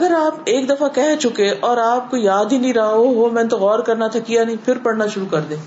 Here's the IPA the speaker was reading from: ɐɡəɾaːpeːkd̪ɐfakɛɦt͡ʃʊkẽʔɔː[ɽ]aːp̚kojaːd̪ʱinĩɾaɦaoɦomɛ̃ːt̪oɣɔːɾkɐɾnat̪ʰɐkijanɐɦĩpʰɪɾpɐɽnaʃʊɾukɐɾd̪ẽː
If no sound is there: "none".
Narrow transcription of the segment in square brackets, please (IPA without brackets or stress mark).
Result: ɾ